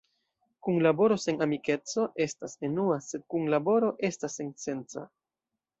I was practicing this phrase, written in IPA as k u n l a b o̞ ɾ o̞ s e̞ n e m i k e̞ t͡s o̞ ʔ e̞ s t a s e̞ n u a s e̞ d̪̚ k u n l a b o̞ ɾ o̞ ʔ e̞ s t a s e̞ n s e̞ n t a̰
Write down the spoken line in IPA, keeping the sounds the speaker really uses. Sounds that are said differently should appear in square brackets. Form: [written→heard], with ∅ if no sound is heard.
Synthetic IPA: k u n l a b o̞ ɾ o̞ s e̞ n [e→a] m i k e̞ t͡s o̞ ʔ e̞ s t a s e̞ n u a s e̞ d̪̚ k u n l a b o̞ ɾ o̞ ʔ e̞ s t a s e̞ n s e̞ n [t→t͡s] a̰